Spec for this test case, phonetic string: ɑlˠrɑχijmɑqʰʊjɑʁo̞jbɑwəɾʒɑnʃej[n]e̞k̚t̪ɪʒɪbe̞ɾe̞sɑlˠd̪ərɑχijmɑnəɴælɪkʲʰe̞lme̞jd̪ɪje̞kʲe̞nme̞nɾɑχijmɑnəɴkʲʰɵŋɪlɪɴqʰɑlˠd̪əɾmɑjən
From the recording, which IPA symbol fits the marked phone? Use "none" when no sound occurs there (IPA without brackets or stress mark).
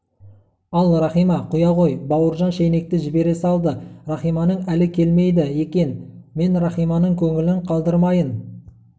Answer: n